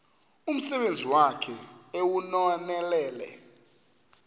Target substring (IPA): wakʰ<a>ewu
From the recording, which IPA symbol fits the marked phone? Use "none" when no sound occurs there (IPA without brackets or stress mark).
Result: ɛ